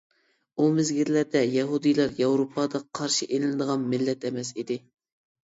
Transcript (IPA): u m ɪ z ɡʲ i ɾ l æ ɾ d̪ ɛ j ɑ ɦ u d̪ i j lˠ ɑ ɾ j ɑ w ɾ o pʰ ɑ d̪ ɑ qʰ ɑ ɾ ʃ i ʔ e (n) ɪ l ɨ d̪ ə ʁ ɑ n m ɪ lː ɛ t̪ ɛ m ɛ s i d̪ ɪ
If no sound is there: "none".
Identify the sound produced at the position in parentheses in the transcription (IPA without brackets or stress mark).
n